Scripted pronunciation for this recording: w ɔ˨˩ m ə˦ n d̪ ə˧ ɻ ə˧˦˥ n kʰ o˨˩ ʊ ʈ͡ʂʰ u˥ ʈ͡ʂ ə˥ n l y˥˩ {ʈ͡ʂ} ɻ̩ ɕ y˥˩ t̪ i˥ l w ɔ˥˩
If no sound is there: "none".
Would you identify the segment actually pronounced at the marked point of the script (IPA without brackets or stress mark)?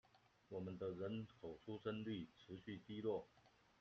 ʈ͡ʂʰ